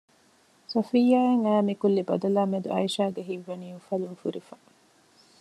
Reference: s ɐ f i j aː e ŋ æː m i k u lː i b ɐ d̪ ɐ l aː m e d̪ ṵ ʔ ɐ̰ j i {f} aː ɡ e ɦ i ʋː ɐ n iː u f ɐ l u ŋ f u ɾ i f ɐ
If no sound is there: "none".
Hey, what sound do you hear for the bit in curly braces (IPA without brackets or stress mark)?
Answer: ʃ